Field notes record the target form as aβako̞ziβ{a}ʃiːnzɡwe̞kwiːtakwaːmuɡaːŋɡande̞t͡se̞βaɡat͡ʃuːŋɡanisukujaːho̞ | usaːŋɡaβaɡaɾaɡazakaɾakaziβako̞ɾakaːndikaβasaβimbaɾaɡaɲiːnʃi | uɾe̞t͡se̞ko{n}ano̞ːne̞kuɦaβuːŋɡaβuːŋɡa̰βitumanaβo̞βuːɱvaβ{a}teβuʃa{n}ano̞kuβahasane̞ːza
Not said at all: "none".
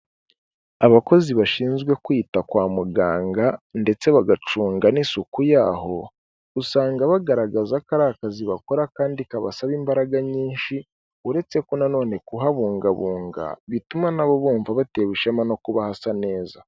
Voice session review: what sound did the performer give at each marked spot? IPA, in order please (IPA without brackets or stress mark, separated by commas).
a, n, a, m